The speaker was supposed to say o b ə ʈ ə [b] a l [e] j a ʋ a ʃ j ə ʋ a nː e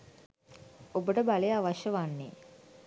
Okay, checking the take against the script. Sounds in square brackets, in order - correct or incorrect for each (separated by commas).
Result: correct, correct